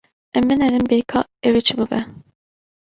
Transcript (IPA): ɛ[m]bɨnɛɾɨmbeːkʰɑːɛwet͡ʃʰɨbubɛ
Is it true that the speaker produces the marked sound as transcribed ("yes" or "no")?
yes